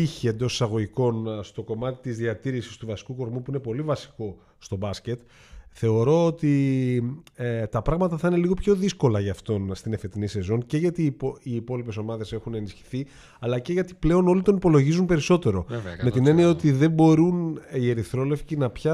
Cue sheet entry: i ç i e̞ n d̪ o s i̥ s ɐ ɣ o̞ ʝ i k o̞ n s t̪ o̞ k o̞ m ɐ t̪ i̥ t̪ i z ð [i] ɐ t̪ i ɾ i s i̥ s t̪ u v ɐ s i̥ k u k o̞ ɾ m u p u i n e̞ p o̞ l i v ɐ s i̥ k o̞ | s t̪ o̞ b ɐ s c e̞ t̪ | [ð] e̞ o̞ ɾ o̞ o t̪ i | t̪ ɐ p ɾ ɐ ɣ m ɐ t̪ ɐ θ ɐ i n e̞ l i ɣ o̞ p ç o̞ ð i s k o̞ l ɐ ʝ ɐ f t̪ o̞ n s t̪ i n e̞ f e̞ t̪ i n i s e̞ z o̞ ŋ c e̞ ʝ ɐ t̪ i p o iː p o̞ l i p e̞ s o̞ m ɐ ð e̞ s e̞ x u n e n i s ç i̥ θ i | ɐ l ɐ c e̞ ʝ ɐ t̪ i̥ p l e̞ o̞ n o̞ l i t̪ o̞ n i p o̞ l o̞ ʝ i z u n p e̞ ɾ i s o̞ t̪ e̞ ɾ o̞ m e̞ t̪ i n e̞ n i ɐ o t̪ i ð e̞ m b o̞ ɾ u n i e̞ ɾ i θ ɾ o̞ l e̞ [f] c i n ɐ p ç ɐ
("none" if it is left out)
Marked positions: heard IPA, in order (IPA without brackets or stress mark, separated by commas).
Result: i, θ, f